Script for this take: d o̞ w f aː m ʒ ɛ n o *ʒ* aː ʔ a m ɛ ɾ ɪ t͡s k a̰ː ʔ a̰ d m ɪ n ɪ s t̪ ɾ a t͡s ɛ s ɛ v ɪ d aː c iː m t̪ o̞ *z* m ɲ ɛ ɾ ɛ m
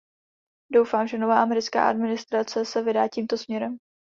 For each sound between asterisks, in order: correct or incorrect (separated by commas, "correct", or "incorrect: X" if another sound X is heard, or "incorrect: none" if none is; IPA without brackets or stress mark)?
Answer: incorrect: v, incorrect: s